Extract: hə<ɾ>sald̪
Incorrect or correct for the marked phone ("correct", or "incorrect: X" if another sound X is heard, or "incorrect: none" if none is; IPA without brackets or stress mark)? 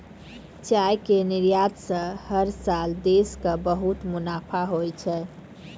correct